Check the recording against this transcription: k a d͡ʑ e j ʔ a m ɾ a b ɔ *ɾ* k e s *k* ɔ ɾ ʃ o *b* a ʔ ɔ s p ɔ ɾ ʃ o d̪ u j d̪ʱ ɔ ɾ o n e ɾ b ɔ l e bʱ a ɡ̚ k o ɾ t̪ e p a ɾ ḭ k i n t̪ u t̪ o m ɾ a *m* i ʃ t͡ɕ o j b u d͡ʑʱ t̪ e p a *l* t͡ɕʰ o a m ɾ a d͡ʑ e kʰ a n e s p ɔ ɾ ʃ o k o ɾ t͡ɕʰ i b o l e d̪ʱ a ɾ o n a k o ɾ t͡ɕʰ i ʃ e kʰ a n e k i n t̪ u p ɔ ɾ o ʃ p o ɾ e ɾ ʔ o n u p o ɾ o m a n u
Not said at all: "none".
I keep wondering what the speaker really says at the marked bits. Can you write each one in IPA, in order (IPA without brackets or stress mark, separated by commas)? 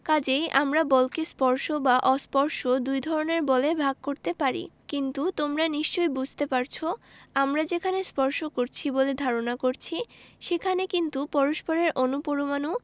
l, p, b, n, ɾ